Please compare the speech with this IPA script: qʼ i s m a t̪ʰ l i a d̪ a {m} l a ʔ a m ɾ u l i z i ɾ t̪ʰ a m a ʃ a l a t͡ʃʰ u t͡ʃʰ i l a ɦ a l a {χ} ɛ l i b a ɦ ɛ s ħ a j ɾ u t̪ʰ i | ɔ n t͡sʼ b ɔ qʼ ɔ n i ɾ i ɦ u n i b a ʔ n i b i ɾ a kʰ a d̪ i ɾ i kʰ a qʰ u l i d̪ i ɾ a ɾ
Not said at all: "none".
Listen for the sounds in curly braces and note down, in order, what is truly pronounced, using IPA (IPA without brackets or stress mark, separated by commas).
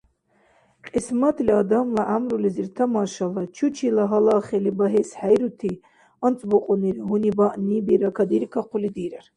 m, χ